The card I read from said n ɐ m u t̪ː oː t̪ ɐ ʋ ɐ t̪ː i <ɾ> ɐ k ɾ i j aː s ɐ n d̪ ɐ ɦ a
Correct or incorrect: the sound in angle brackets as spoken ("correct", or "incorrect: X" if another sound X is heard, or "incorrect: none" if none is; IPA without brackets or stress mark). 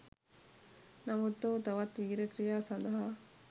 correct